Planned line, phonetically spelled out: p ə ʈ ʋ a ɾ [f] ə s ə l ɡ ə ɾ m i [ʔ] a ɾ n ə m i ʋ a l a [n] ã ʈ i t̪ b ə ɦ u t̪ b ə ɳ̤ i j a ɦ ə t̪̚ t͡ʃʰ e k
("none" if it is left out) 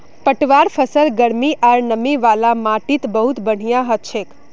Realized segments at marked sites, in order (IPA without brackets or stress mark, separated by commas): f, ʔ, m